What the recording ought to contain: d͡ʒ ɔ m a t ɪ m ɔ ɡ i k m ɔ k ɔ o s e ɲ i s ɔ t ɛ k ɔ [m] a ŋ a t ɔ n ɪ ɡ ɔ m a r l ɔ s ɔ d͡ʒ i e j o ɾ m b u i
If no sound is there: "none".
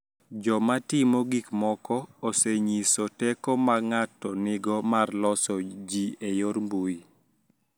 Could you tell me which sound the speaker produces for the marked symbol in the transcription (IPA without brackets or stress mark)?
m